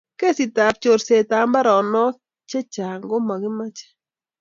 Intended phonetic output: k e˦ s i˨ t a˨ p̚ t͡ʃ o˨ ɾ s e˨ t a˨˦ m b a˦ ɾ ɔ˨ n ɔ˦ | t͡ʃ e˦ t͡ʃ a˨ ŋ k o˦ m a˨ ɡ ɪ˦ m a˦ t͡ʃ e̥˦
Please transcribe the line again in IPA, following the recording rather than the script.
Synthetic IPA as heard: k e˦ s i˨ t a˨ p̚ t͡ʃ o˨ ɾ s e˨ t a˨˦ m b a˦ ɾ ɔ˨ n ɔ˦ | t͡ʃ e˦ t͡ʃ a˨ ŋ ɡ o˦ m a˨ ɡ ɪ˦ m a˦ t͡ʃ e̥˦